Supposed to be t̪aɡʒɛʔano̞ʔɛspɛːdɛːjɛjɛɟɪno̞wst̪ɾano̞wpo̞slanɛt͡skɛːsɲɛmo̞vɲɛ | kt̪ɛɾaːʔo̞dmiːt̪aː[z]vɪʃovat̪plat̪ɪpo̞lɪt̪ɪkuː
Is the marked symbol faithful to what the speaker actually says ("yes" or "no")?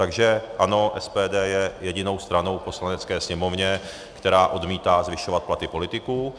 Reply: yes